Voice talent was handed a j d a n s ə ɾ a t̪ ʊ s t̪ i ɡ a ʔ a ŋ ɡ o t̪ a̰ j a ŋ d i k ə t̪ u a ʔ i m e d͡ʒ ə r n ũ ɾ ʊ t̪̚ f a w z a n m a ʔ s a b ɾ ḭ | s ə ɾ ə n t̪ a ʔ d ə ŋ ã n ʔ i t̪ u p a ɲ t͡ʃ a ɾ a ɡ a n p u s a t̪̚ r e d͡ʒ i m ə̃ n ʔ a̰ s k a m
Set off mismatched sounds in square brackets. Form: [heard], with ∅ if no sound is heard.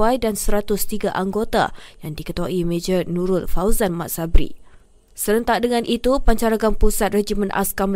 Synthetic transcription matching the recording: a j d a n s ə ɾ a t̪ ʊ s t̪ i ɡ a ʔ a ŋ ɡ o t̪ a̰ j a ŋ d i k ə t̪ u a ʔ i m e d͡ʒ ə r n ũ ɾ ʊ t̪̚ f a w z a n m a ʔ s a b ɾ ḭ | s ə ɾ ə n t̪ a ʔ d ə ŋ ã n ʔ i t̪ u p a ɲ t͡ʃ a ɾ a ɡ a n p u s a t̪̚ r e d͡ʒ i m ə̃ n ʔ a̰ s k a m